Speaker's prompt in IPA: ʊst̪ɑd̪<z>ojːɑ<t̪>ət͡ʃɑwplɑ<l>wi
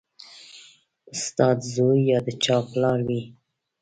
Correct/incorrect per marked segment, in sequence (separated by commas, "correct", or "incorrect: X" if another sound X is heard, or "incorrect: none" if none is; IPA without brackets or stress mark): correct, incorrect: d̪, incorrect: ɾ